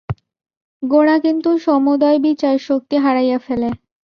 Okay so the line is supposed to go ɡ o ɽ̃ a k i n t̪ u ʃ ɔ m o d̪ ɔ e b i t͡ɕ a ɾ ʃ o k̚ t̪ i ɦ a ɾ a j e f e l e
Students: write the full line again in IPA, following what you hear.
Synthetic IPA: ɡ o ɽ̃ a k i n t̪ u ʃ ɔ m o d̪ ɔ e b i t͡ɕ a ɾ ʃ o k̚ t̪ i ɦ a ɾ a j a f e l e